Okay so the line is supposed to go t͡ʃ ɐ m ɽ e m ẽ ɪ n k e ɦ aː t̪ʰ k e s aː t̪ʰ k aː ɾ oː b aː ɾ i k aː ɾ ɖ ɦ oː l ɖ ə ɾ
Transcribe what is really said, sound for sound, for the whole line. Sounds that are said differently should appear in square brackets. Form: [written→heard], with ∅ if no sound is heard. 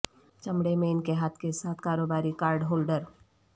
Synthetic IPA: t͡ʃ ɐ m ɽ e m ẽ ɪ n k e ɦ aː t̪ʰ k e s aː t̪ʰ k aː ɾ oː b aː ɾ i k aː ɾ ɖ ɦ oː l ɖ ə ɾ